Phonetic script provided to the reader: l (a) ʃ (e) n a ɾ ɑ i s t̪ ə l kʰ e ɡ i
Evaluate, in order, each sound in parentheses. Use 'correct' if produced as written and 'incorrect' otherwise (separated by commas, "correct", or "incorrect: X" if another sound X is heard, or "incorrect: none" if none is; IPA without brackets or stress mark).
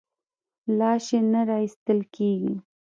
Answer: incorrect: ɑ, correct